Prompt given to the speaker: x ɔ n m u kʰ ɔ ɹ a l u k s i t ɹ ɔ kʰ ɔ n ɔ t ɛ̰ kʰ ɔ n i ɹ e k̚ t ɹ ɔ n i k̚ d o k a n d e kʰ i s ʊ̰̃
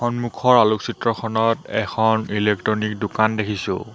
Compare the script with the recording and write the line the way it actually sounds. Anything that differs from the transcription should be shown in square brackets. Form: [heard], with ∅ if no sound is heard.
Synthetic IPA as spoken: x ɔ n m u kʰ ɔ ɹ a l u k s i t ɹ ɔ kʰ ɔ n ɔ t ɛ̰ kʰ ɔ n i [l] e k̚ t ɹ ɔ n i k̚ d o k a n d e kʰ i s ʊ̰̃

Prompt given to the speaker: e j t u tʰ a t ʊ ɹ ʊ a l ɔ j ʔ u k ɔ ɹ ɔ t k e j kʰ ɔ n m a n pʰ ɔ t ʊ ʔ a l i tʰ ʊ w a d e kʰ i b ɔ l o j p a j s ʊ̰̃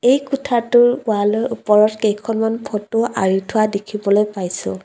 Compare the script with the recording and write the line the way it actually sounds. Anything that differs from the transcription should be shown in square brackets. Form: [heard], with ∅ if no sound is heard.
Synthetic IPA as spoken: e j [k] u tʰ a t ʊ ɹ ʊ a l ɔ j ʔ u [p] ɔ ɹ ɔ t k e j kʰ ɔ n m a n pʰ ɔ t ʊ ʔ a [ɹ] i tʰ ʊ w a d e kʰ i b ɔ l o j p a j s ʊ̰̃

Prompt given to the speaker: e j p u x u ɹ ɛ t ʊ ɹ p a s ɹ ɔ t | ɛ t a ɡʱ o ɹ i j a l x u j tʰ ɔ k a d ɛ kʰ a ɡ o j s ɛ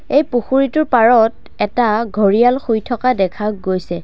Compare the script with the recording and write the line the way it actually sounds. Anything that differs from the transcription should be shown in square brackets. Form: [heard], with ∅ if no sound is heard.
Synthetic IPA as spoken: e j p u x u ɹ [i] t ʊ ɹ p a [∅] ɹ ɔ t | ɛ t a ɡʱ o ɹ i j a l x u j tʰ ɔ k a d ɛ kʰ a ɡ o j s ɛ

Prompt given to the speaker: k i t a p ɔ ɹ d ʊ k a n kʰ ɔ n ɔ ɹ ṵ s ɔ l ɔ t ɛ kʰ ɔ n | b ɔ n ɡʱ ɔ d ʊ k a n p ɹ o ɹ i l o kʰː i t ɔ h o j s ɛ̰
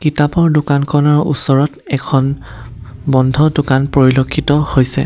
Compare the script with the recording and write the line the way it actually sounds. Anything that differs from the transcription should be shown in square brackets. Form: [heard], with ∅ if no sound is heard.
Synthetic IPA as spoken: k i t a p ɔ ɹ d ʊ k a n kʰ ɔ n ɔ ɹ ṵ s ɔ [ɹ] ɔ t ɛ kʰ ɔ n | b ɔ n [dʱ] ɔ d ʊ k a n p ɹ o ɹ i l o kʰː i t ɔ h o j s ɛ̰

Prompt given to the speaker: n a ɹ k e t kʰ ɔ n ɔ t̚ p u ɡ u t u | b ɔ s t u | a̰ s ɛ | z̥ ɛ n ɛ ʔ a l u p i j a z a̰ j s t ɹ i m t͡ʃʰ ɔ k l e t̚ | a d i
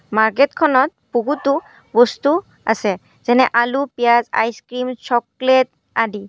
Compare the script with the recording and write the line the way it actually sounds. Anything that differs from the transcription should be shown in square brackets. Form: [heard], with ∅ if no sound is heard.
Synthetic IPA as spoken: [m] a ɹ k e t kʰ ɔ n ɔ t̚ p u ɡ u t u | b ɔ s t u | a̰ s ɛ | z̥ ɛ n ɛ ʔ a l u p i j a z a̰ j s [k] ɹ i m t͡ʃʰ ɔ k l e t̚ | a d i

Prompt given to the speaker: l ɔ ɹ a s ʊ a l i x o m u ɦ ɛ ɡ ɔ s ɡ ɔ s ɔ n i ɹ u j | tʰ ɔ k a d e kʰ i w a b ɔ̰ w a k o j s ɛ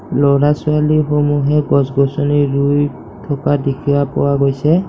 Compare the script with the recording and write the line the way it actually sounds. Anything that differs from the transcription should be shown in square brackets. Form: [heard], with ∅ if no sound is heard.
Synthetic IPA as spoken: l ɔ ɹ a s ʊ a l i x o m u ɦ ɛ ɡ ɔ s ɡ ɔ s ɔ n i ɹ u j | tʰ ɔ k a d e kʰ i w a [p] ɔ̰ w a [ɡ] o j s ɛ

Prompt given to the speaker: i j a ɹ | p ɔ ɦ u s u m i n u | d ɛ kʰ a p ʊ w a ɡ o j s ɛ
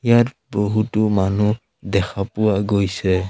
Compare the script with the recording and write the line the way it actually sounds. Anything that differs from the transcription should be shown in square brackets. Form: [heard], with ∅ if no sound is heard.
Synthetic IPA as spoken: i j a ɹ | [b] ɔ ɦ u [t] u m [a] n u | d ɛ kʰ a p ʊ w a ɡ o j s ɛ

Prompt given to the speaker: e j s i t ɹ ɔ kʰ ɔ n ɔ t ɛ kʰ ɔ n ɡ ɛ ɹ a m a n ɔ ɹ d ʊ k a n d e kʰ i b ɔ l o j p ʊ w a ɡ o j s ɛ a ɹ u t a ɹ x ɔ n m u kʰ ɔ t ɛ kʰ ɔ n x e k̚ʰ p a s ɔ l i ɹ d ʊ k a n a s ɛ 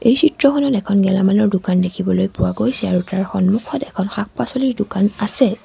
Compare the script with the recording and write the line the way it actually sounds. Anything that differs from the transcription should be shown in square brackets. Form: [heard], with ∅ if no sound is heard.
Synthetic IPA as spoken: e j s i t ɹ ɔ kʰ ɔ n ɔ t ɛ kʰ ɔ n ɡ ɛ [l] a m a n ɔ ɹ d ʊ k a n d e kʰ i b ɔ l o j p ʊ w a ɡ o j s ɛ a ɹ u t a ɹ x ɔ n m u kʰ ɔ t ɛ kʰ ɔ n x [a] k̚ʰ p a s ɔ l i ɹ d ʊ k a n a s ɛ

